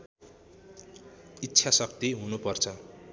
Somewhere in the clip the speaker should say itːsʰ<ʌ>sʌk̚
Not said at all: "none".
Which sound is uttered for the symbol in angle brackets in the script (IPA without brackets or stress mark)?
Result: a